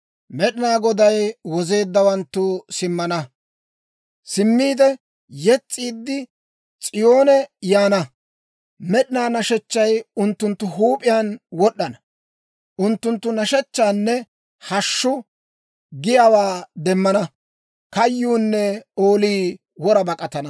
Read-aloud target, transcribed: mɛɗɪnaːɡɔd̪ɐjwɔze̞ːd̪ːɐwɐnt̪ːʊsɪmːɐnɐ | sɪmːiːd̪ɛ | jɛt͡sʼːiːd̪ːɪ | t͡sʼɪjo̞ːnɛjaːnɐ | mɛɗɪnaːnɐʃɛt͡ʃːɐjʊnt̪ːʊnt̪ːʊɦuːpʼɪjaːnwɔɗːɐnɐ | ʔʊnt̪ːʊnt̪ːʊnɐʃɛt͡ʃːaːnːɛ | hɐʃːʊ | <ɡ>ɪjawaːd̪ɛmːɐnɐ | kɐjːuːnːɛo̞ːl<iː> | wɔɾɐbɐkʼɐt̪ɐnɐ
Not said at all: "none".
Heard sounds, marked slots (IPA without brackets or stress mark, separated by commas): ɡ, iː